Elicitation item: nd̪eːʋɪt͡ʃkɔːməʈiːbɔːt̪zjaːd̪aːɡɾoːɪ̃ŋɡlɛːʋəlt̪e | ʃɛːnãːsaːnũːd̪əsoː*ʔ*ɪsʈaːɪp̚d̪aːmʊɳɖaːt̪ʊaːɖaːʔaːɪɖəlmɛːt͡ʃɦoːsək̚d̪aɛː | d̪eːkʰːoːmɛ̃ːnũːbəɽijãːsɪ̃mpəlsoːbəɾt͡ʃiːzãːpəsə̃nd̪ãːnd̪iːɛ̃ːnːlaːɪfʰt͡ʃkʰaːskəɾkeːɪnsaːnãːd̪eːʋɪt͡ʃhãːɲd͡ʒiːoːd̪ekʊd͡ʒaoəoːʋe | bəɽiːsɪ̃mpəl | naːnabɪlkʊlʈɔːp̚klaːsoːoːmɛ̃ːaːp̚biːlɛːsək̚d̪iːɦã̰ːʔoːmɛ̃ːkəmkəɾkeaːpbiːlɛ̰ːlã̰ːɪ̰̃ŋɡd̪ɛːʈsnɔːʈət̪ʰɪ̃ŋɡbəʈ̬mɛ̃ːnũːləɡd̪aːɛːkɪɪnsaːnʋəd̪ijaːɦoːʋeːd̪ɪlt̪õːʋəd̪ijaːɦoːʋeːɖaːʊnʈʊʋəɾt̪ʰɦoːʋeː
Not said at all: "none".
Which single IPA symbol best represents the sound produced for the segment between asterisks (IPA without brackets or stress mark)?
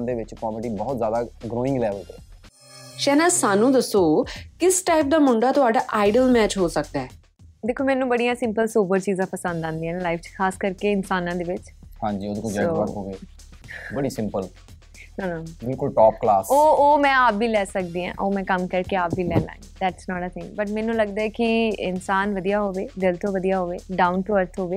k